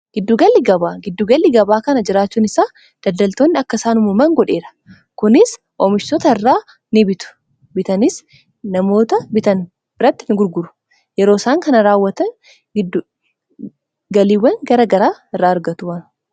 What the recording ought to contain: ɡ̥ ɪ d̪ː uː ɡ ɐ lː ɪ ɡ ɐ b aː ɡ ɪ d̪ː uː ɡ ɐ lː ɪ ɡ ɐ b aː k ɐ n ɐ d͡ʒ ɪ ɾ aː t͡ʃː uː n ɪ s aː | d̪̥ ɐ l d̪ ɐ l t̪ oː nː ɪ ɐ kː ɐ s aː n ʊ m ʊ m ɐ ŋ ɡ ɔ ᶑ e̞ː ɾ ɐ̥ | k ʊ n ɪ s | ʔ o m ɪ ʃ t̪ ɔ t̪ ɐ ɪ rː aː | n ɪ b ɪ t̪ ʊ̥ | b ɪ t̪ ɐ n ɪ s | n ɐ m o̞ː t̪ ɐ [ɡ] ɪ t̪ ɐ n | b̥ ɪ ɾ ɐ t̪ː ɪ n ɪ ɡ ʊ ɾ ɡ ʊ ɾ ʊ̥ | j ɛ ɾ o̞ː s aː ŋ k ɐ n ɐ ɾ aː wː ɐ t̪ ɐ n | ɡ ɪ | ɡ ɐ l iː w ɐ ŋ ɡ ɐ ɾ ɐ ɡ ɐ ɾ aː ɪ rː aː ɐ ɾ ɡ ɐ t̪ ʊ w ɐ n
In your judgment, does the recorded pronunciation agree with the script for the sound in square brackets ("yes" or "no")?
no